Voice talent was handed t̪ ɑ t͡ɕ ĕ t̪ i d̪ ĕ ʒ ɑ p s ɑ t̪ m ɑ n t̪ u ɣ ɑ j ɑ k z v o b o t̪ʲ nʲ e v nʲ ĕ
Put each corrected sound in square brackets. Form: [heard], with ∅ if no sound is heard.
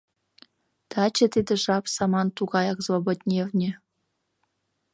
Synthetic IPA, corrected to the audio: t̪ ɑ t͡ɕ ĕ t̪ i d̪ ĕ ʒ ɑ p s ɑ [∅] m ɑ n t̪ u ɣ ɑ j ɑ k z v o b o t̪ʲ nʲ e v nʲ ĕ